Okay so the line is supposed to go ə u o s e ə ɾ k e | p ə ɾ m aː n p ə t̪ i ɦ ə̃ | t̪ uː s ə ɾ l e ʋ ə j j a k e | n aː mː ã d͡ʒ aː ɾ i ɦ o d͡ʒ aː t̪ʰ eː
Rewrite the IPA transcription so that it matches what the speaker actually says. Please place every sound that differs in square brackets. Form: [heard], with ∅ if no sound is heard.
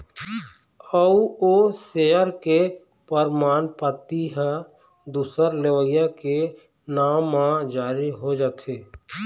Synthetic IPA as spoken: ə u o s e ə ɾ k e | p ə ɾ m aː n p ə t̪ i ɦ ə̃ | [d̪] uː s ə ɾ l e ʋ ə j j a k e | n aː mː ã d͡ʒ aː ɾ i ɦ o d͡ʒ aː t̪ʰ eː